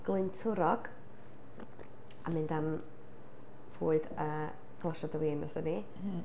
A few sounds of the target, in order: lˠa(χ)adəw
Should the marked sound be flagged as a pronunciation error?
yes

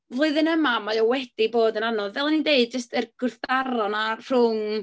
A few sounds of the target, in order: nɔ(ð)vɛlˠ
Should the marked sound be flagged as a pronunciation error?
no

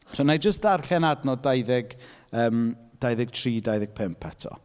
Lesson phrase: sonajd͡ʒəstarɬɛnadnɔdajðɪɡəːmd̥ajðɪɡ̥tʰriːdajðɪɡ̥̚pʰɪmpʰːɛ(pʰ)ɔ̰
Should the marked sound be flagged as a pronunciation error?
yes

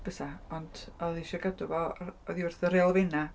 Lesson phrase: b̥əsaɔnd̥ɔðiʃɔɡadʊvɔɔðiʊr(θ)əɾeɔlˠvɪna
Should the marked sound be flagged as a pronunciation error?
no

